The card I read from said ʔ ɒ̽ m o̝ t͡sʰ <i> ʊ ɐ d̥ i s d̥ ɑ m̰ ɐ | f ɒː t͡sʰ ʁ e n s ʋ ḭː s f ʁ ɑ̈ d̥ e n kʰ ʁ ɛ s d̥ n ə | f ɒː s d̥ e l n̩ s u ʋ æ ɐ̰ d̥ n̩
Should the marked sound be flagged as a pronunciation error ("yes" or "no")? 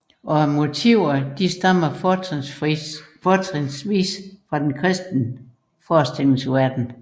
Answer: no